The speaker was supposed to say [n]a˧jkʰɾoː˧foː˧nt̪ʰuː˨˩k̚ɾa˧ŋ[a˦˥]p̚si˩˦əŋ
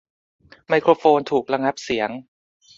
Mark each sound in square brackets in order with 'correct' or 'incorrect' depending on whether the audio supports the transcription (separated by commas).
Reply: incorrect, correct